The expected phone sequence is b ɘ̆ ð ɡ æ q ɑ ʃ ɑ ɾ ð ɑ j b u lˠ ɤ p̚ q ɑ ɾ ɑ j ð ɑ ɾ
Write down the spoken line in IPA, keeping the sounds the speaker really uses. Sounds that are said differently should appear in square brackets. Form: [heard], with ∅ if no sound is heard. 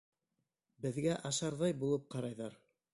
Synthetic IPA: b ɘ̆ ð ɡ æ [ʔ] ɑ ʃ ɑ ɾ ð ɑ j b u lˠ ɤ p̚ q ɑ ɾ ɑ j ð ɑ ɾ